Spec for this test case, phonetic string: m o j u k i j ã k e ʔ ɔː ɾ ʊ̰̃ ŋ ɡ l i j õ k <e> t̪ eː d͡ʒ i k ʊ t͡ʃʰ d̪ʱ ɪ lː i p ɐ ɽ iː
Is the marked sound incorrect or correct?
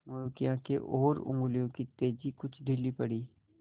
incorrect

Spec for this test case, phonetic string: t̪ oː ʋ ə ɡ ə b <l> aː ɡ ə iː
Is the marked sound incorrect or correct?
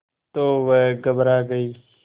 incorrect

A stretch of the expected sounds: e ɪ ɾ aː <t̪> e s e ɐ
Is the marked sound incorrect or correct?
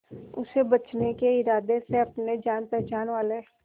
incorrect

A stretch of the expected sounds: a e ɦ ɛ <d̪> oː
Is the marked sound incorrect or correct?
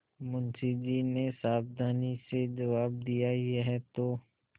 incorrect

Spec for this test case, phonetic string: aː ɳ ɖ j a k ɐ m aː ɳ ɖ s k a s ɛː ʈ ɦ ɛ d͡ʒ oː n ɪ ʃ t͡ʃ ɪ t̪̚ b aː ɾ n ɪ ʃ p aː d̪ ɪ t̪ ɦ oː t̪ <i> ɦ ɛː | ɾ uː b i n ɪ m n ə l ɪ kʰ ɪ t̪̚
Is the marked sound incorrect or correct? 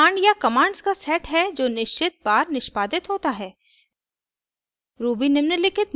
incorrect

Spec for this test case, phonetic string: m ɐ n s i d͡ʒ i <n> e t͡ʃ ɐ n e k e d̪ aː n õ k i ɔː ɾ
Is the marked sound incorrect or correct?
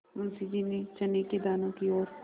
correct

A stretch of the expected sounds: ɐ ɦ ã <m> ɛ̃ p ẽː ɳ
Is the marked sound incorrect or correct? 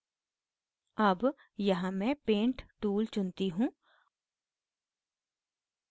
correct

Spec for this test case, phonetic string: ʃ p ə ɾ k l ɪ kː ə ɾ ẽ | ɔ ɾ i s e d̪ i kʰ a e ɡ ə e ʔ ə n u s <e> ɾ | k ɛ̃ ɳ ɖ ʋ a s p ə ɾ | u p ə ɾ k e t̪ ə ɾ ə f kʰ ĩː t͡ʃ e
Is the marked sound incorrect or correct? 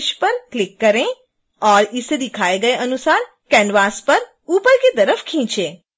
incorrect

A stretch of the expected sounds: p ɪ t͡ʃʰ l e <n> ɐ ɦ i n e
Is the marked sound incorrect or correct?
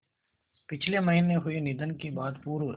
incorrect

